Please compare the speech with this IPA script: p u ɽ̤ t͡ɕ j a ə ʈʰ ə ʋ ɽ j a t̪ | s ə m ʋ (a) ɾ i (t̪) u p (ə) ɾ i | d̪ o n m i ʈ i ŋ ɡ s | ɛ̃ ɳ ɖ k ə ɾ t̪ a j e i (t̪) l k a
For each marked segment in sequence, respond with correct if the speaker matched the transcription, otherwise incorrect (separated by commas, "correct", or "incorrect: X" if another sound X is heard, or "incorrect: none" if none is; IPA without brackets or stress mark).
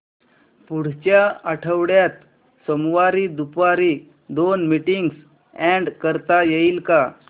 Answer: correct, incorrect: d̪, incorrect: a, incorrect: none